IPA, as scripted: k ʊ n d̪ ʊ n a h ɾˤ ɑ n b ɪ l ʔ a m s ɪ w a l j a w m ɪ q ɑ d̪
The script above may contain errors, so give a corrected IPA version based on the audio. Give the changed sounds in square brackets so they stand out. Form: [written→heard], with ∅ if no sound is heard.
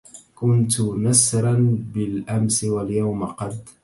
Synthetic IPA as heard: k ʊ n [d̪→t̪] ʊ n a [h→s] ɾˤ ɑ n b ɪ l ʔ a m s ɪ w a l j a w m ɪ q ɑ d̪